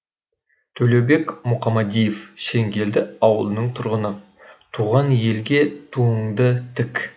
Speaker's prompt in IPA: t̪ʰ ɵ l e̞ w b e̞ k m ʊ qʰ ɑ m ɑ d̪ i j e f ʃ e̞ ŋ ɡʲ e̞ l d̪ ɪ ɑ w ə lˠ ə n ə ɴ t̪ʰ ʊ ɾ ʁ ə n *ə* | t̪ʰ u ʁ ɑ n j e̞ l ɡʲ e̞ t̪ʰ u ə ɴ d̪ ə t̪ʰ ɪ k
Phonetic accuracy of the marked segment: correct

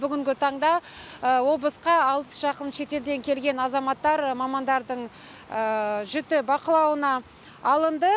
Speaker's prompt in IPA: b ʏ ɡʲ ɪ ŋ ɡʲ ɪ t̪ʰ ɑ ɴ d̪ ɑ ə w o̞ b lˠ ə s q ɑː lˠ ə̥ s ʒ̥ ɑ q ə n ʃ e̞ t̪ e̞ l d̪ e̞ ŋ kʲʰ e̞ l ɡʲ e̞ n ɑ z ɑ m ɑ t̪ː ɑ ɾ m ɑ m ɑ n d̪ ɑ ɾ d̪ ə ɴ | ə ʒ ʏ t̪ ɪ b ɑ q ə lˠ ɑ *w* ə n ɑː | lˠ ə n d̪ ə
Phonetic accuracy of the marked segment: correct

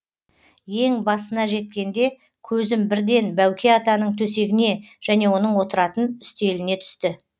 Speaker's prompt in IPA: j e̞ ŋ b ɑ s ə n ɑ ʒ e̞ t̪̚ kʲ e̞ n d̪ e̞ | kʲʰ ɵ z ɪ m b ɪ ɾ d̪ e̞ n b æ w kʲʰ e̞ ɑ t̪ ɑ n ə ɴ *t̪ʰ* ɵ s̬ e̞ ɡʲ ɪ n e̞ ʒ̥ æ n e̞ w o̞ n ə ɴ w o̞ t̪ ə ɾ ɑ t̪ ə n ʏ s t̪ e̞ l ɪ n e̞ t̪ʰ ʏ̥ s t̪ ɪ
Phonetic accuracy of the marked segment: correct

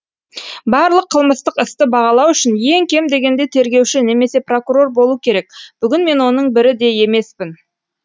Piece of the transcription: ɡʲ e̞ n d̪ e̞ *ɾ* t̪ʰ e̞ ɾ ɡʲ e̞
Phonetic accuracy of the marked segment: incorrect: none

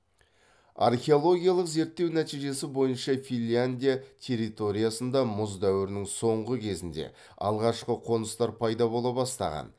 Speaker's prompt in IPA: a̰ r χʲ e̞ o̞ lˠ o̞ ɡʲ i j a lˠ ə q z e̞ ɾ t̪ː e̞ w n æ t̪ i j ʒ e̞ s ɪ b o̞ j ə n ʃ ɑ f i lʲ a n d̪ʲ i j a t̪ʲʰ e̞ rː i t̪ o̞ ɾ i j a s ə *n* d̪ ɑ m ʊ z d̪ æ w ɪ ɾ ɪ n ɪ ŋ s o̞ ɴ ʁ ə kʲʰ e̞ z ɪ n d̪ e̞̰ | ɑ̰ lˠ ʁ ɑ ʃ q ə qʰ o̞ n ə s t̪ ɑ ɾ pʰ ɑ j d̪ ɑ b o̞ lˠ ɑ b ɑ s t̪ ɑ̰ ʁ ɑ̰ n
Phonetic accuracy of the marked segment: correct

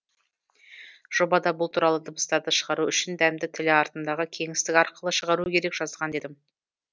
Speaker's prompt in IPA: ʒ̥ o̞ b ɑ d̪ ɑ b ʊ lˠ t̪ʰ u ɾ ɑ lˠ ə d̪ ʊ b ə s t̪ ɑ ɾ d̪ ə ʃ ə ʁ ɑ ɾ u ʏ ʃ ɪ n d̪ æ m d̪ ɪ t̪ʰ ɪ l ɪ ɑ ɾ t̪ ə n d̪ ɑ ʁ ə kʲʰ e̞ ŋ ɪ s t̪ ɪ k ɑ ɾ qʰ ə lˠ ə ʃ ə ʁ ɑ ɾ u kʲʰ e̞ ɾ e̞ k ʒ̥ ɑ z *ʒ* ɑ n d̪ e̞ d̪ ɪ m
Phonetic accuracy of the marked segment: incorrect: ʁ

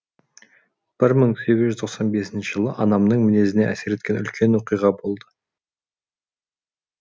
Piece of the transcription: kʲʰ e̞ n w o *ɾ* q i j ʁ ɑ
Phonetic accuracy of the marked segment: incorrect: none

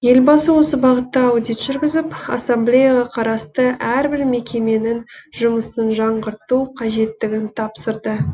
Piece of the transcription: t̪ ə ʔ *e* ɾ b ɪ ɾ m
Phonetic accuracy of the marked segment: incorrect: æ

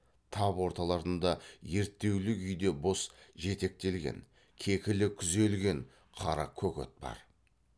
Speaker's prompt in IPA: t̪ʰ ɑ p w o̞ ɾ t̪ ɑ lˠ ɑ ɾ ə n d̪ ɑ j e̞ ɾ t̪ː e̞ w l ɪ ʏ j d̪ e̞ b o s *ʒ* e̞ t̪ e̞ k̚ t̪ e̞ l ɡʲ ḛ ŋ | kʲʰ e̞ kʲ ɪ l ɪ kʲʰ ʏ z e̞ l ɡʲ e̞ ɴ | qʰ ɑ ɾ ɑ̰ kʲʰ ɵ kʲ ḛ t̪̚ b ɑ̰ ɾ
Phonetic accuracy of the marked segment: correct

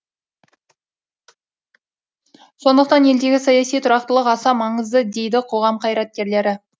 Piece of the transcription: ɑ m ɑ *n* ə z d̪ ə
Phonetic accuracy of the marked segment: incorrect: ɴ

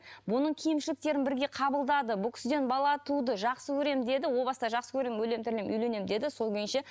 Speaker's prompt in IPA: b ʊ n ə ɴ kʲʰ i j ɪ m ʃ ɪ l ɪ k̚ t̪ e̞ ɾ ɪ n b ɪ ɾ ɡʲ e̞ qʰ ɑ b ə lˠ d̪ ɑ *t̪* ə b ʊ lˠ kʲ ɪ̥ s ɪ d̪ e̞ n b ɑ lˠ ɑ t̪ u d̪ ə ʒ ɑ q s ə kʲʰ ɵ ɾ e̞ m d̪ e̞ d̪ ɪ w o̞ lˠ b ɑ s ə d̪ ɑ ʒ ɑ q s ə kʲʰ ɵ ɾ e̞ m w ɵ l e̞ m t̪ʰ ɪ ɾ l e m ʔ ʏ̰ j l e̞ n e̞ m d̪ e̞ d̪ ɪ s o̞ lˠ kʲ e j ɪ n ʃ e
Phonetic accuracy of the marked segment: incorrect: d̪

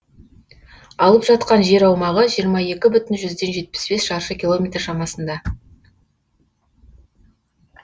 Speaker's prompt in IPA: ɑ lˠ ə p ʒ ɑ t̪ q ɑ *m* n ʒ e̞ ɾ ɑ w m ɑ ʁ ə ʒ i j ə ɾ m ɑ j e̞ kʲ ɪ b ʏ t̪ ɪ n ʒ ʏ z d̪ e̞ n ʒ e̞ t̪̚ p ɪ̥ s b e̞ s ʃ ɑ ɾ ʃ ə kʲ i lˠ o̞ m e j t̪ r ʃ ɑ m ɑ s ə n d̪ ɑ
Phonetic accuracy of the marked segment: incorrect: none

